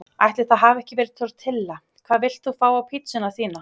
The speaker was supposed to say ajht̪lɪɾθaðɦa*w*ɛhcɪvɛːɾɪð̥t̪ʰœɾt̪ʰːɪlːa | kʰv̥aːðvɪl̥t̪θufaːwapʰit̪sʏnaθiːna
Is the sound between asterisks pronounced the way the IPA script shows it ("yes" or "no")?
no